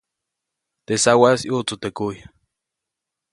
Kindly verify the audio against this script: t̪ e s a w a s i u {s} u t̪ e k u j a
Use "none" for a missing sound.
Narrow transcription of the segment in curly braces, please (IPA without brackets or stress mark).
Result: t͡s